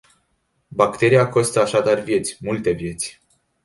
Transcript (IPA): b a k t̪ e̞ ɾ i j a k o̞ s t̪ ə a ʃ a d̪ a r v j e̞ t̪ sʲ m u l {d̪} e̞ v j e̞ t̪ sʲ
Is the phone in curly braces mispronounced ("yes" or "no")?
yes